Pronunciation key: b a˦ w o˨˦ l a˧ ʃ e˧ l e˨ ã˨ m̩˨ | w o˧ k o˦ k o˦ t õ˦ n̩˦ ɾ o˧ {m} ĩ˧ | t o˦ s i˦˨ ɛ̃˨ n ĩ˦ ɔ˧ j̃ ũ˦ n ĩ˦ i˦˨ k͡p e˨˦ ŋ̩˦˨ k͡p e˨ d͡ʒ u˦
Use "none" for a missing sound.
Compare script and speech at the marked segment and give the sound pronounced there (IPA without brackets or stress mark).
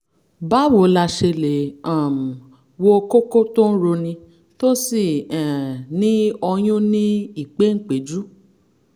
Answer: n